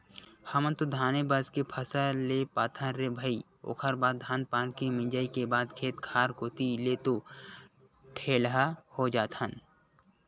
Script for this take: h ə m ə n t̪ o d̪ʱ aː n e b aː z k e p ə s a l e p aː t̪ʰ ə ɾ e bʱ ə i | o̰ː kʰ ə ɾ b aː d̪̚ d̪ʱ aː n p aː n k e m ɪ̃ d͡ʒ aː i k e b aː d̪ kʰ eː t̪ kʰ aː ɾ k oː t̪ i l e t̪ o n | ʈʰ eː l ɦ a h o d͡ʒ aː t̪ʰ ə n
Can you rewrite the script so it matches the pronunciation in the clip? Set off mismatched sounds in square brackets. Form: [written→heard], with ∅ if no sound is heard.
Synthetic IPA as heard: h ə m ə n t̪ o d̪ʱ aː n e b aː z k e [p→pʰ] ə s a l e p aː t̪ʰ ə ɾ e bʱ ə i | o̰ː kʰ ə ɾ b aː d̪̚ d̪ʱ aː n p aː n k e m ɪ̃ d͡ʒ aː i k e b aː d̪ kʰ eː t̪ kʰ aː ɾ k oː t̪ i l e t̪ o [n→∅] | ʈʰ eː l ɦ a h o d͡ʒ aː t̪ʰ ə n